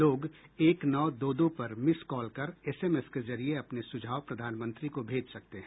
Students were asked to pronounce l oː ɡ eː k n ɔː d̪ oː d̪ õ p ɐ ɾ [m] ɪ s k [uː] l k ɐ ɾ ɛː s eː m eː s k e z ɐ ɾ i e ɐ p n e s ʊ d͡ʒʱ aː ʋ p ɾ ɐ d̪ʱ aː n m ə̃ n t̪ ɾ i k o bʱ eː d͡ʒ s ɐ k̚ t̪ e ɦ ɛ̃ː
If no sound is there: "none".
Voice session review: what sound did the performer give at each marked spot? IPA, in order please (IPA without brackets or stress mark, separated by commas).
m, ɔː